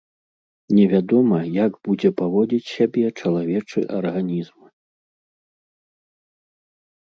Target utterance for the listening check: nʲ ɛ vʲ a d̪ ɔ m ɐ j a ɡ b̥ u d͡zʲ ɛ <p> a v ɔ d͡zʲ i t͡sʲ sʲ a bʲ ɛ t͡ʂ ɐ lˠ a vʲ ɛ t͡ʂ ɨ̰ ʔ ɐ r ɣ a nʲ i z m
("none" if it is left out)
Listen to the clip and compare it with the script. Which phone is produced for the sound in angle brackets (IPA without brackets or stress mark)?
p